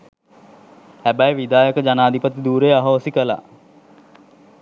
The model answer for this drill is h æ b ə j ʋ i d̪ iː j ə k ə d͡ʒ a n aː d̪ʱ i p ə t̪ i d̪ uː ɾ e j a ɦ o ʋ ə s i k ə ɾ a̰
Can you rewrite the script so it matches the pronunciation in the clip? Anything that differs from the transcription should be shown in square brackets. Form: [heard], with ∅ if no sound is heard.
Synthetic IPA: h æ b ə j ʋ i d̪ [aː] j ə k ə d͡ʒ a n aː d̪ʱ i p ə t̪ i d̪ uː ɾ e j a ɦ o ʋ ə s i k ə [l] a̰